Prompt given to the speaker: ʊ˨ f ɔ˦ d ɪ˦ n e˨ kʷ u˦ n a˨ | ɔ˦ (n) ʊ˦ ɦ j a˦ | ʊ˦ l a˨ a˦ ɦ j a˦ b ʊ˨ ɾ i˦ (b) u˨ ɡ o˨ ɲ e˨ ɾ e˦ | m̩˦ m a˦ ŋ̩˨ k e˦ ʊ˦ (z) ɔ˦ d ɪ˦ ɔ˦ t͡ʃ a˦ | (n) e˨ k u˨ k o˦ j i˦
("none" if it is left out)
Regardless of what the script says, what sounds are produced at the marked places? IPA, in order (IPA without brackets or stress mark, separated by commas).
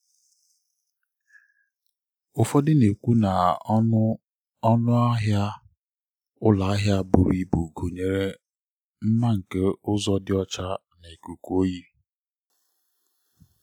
n, b, z, n